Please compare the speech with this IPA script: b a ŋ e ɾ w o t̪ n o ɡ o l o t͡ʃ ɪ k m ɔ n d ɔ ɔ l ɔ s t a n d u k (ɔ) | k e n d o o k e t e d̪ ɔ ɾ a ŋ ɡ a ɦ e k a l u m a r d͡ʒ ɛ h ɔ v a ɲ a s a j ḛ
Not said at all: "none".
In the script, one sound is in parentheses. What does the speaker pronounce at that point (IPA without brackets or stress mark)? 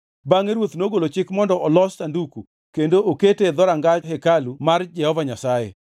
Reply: u